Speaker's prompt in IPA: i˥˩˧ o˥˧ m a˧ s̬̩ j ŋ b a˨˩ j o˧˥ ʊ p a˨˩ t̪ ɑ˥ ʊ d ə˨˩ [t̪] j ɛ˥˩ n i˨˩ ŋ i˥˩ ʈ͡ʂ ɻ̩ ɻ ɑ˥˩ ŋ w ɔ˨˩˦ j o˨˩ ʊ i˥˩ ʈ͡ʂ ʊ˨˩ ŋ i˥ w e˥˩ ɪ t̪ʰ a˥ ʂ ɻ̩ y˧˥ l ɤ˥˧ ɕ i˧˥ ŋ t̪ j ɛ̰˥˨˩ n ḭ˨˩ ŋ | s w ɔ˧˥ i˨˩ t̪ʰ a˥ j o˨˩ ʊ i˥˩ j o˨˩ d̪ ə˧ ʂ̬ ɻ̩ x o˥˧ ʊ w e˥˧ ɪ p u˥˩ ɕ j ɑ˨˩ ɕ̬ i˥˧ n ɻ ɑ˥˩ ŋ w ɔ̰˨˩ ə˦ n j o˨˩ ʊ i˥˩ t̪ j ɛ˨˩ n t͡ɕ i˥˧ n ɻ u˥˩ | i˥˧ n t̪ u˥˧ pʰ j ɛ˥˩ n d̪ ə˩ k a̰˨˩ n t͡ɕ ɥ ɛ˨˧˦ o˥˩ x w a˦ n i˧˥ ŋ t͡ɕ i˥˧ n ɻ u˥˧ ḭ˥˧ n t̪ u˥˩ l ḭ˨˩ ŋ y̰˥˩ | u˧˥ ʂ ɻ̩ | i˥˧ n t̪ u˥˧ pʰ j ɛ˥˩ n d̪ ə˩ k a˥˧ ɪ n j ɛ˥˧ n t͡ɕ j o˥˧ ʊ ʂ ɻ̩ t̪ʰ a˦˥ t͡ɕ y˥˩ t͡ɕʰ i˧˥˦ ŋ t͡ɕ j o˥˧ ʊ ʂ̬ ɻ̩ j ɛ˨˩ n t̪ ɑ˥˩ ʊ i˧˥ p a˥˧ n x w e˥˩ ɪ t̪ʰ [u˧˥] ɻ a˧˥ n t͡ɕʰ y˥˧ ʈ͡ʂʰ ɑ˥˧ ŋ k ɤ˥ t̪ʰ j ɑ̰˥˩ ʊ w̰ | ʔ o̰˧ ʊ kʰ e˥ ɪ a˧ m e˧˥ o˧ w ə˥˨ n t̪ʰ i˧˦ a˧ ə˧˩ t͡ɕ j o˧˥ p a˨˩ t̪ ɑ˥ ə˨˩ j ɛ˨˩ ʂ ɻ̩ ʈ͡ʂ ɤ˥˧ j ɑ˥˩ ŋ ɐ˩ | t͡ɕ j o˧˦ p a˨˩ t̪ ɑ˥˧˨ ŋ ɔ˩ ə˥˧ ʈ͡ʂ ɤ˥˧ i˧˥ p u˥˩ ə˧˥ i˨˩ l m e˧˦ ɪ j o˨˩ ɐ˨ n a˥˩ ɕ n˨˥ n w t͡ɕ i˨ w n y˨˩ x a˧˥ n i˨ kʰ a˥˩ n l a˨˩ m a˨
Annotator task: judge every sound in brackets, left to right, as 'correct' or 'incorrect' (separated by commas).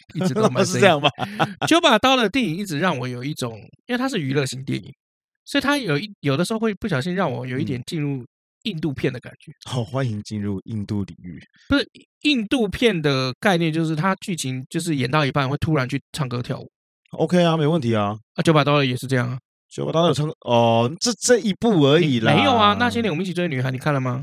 correct, incorrect